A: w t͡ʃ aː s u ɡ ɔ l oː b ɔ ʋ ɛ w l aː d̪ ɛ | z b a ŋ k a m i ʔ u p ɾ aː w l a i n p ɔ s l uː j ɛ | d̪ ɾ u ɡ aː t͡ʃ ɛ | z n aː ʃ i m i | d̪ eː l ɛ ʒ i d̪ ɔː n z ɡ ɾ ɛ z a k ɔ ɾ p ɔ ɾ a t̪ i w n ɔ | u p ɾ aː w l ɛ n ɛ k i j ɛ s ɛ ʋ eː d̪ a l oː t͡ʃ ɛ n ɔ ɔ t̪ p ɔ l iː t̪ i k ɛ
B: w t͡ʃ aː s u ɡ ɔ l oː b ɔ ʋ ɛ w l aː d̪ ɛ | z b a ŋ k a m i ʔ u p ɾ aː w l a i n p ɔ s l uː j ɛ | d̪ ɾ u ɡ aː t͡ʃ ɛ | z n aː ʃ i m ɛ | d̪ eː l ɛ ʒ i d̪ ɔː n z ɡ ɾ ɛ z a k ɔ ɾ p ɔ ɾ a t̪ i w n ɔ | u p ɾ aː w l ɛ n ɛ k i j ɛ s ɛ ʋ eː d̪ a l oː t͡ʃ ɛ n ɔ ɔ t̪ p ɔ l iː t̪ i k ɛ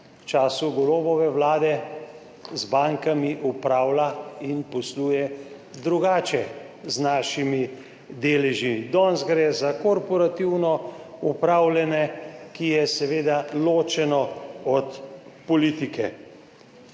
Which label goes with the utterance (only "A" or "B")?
A